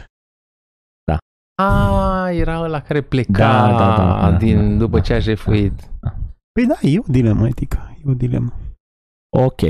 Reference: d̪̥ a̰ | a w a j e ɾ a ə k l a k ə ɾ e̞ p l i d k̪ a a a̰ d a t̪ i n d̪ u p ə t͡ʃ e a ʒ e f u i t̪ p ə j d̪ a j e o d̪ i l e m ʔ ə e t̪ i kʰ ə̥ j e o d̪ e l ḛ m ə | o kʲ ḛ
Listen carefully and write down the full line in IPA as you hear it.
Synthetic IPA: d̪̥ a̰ | a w a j e ɾ a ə l a k a ɾ e̞ p l e d k̪ a a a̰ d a d̪ i n d̪ u p ə t͡ʃ e a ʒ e f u i t̪ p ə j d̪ a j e o d̪ i l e m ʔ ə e t̪ i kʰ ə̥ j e o d̪ i l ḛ m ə | o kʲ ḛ